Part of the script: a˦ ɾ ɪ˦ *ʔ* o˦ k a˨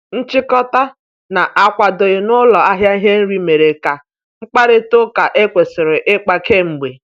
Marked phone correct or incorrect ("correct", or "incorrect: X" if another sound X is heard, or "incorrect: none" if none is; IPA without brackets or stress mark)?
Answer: incorrect: t